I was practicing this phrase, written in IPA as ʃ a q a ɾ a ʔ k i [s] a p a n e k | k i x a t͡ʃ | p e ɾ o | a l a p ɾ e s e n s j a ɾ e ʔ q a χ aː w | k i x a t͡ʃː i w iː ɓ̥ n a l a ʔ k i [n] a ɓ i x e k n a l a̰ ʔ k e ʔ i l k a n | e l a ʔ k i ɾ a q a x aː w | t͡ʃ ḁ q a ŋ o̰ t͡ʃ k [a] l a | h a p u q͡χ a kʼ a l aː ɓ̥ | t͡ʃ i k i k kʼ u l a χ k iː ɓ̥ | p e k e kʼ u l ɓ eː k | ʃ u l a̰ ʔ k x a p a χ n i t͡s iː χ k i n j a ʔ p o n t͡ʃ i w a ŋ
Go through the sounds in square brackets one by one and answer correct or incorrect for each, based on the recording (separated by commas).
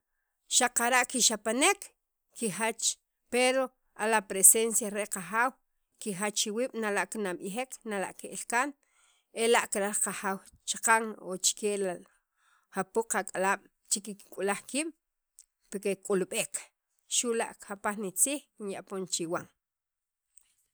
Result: incorrect, correct, incorrect